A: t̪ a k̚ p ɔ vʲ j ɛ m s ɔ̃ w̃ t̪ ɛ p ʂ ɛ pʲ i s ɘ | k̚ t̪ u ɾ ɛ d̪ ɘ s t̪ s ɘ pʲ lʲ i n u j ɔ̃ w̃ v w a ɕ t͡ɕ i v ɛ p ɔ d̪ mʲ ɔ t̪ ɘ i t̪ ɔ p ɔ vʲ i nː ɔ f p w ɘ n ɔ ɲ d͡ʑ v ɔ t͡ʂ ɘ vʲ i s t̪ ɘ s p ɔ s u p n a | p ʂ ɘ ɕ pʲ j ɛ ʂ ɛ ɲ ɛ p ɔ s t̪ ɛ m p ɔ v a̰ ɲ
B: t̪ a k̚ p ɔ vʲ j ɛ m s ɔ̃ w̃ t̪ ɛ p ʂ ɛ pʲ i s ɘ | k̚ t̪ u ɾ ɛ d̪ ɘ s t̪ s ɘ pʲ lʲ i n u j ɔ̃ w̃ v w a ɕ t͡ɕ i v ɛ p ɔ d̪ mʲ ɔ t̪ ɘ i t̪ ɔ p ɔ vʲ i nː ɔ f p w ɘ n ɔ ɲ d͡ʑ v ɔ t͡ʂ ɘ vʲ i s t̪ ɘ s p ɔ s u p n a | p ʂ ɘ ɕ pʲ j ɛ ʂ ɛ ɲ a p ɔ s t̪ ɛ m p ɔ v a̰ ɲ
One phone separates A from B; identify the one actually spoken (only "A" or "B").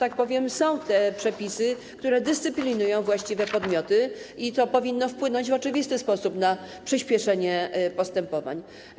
A